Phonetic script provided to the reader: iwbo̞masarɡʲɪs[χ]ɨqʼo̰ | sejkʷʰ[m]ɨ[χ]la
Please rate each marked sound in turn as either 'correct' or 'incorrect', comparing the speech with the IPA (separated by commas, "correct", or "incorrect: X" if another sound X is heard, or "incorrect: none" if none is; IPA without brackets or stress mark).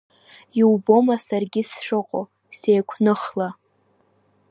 incorrect: ʂ, incorrect: n, correct